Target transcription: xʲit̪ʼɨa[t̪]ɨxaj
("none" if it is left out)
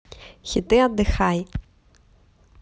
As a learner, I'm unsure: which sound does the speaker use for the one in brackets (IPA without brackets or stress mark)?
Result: d̪